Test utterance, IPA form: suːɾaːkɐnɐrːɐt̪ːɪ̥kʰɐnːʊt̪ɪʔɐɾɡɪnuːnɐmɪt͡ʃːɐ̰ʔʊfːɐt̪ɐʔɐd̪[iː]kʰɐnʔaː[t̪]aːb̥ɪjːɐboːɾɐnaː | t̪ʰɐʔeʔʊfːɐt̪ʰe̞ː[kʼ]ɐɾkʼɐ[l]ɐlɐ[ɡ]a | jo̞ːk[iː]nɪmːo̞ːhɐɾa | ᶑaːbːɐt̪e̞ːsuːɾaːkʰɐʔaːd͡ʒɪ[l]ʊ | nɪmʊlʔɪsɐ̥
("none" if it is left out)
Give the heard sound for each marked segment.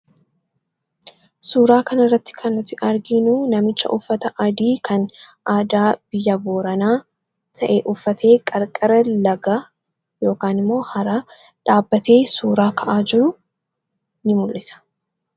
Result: iː, d̪, kʼ, ɾ, ɡ, aː, ɾ

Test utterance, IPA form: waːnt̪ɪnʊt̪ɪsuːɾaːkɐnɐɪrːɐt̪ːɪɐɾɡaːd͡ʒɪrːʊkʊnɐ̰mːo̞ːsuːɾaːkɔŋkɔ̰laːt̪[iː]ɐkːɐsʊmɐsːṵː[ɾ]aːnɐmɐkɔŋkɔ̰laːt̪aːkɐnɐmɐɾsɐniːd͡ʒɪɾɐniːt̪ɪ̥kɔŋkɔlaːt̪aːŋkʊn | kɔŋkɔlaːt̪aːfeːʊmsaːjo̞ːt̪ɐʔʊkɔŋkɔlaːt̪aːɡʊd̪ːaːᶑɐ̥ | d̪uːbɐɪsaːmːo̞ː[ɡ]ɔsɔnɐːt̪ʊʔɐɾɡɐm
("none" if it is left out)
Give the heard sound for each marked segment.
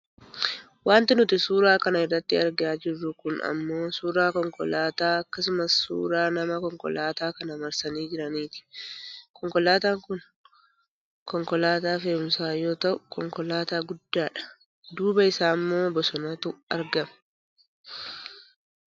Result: aː, ɾ, b

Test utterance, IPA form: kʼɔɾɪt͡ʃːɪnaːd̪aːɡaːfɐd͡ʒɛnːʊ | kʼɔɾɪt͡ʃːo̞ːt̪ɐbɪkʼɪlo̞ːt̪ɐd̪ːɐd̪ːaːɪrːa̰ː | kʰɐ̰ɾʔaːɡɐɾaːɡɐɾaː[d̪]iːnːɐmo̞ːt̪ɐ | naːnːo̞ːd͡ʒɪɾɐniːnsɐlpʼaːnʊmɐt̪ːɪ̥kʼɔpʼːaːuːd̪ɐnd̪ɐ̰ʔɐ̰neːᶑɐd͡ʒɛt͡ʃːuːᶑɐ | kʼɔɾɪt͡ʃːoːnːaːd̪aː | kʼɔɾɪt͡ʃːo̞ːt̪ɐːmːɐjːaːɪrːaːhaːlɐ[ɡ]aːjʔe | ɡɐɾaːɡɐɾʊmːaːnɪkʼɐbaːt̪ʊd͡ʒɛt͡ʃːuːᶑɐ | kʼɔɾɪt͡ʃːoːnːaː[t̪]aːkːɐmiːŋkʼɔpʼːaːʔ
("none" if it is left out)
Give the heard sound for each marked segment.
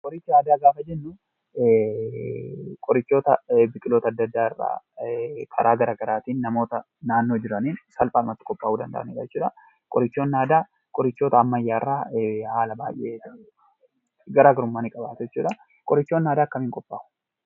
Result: t̪, b, d̪

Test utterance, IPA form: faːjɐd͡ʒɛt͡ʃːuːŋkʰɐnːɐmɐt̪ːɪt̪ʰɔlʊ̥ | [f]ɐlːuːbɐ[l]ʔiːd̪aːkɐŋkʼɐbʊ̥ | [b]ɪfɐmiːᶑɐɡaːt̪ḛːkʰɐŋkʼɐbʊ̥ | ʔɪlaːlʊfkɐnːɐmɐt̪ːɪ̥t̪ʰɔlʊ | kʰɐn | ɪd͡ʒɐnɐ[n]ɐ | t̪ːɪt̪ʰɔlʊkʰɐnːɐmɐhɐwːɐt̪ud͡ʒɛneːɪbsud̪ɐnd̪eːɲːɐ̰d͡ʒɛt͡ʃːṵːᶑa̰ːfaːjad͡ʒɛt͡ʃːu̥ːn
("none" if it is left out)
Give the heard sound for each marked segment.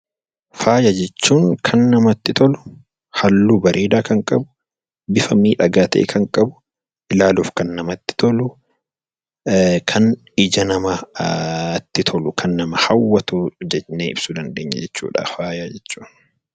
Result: h, ɾ, b, m

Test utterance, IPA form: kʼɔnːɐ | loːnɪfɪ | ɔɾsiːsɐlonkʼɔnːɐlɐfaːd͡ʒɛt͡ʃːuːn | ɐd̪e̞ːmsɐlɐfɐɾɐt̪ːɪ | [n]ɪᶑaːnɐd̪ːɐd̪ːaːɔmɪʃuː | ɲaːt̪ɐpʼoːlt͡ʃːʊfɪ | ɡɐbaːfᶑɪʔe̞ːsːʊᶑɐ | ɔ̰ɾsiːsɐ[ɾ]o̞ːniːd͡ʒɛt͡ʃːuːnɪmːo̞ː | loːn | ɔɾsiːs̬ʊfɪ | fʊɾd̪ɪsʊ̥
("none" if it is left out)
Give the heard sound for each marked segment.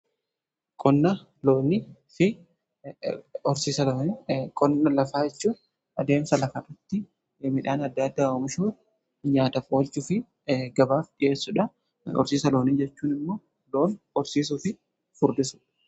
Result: m, l

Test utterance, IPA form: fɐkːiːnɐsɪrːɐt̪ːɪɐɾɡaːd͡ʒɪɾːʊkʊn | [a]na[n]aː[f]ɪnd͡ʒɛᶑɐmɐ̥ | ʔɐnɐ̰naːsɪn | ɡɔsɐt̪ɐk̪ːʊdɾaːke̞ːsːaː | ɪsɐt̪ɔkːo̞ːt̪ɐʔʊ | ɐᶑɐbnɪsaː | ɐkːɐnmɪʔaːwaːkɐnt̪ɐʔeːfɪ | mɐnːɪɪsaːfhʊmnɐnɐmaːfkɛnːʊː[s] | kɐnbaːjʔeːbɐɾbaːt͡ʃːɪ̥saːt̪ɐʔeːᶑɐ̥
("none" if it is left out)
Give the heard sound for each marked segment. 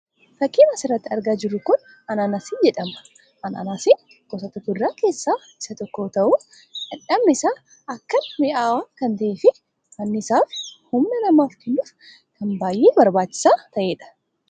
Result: ɐ, n, s, f

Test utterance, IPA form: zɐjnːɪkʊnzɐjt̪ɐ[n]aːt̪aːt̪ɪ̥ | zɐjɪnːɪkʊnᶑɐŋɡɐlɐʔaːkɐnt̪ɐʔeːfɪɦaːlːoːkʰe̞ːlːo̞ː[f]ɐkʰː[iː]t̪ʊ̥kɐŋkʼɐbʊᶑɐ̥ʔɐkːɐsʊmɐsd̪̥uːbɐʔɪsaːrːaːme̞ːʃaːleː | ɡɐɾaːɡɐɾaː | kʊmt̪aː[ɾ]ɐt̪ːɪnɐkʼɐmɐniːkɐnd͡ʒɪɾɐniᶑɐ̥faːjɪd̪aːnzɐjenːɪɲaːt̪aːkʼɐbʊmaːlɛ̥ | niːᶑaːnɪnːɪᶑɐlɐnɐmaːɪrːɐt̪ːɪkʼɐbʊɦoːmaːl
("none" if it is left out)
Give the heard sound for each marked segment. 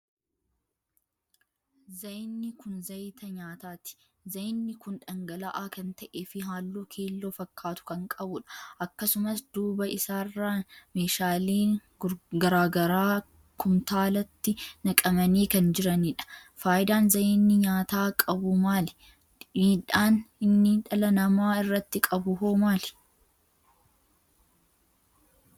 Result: ɲ, f, aː, l

